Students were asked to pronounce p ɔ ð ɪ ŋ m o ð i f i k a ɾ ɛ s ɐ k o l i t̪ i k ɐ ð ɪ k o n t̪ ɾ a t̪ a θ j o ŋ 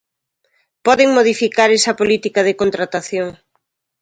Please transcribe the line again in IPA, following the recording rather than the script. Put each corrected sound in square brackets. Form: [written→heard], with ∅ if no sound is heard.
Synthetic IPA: p ɔ ð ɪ ŋ m o ð i f i k a ɾ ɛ s ɐ [k→p] o l i t̪ i k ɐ ð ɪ k o n t̪ ɾ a t̪ a θ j o ŋ